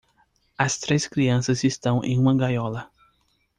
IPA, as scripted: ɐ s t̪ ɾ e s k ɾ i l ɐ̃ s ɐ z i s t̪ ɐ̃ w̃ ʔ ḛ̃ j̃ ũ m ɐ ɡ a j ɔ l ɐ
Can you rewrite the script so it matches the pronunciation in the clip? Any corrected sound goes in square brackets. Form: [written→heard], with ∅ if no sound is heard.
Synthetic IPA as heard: ɐ s t̪ ɾ e s k ɾ i [l→∅] ɐ̃ s ɐ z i s t̪ ɐ̃ w̃ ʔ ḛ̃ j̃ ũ m ɐ ɡ a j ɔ l ɐ